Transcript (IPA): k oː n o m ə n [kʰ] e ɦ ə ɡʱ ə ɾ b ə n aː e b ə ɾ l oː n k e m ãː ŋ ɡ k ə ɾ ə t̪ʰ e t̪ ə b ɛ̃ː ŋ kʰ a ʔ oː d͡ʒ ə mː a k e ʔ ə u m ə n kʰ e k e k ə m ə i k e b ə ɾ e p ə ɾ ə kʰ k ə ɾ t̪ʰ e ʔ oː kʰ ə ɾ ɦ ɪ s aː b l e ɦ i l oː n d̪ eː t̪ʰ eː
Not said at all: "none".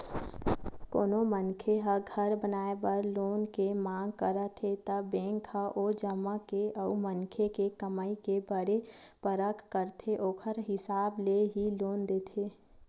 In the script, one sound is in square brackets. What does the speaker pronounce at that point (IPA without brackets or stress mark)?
kʰ